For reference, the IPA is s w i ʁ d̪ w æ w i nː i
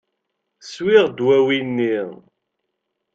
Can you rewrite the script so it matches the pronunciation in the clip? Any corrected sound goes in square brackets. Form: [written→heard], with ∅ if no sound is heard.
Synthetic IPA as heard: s w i ʁ d̪ w æ w i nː i